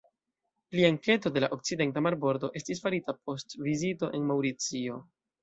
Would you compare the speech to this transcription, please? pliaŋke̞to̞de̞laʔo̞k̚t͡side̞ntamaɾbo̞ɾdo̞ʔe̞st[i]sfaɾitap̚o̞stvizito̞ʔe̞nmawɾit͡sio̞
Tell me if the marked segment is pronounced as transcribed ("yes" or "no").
yes